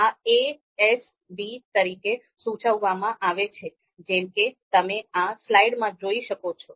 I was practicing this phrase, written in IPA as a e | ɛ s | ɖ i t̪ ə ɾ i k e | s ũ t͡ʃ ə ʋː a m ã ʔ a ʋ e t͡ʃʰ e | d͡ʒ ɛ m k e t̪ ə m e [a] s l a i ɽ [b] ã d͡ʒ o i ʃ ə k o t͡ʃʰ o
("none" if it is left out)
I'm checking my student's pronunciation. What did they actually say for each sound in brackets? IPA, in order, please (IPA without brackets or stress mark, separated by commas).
a, m